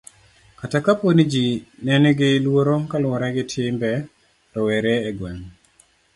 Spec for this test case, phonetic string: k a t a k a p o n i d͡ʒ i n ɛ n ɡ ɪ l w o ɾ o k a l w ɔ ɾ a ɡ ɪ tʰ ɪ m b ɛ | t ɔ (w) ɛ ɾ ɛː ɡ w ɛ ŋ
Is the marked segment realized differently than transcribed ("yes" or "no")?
no